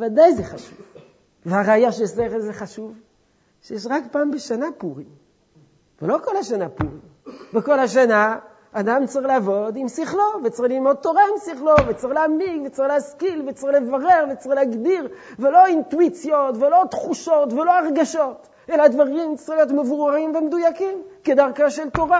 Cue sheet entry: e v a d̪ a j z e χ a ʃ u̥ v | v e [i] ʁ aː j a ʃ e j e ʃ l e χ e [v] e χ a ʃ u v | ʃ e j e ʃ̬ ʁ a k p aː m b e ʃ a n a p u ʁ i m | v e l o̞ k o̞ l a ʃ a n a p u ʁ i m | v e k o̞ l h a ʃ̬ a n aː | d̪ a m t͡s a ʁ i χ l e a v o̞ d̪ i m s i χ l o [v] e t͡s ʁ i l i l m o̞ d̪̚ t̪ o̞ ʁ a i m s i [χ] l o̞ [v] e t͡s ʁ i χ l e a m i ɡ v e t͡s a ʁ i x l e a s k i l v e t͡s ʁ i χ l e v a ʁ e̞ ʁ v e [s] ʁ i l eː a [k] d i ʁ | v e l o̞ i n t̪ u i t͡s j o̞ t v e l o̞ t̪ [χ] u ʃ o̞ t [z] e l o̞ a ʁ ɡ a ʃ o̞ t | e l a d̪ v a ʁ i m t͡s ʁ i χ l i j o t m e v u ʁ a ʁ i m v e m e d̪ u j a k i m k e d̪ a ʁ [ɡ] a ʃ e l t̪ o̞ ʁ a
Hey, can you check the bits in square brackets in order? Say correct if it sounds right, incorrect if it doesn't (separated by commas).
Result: incorrect, incorrect, correct, correct, correct, incorrect, incorrect, correct, incorrect, incorrect